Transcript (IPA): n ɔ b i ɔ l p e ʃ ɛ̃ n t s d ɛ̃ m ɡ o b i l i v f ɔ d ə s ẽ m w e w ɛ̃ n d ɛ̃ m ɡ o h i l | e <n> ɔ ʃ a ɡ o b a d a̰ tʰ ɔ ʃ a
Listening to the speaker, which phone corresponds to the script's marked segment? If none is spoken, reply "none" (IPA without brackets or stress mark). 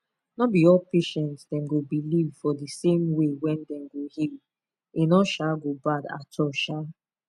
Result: n